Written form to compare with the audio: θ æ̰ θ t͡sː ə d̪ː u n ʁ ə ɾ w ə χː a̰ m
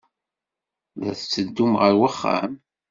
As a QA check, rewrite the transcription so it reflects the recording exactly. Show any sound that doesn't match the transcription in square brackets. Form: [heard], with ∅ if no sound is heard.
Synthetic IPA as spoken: [ð] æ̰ θ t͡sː ə d̪ː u [m] ʁ ə ɾ w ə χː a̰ m